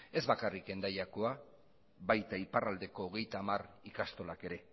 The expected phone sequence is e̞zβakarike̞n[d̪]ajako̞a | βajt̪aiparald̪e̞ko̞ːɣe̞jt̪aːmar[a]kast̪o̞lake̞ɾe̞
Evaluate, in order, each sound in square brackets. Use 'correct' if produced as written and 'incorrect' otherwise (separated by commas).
correct, incorrect